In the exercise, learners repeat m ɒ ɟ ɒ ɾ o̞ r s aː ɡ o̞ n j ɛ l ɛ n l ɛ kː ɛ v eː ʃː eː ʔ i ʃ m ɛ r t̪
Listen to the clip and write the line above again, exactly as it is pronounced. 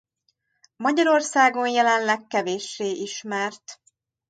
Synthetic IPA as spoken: m ɒ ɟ ɒ ɾ o̞ r s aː ɡ o̞ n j ɛ l ɛ n l ɛ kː ɛ v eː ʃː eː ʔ i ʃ m ɛ r t̪